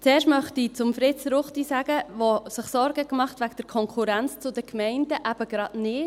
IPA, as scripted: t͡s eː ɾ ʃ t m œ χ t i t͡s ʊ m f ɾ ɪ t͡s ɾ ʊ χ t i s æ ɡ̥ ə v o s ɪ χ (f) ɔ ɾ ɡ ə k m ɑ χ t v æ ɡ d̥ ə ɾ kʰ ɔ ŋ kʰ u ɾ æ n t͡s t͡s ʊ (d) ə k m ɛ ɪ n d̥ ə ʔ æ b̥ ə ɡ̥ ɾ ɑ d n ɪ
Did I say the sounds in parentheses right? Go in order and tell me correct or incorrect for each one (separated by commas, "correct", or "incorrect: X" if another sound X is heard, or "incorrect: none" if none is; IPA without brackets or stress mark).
incorrect: s, correct